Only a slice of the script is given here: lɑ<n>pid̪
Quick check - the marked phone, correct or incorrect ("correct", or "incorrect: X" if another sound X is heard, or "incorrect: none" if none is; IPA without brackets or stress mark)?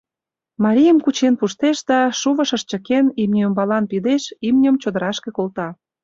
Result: correct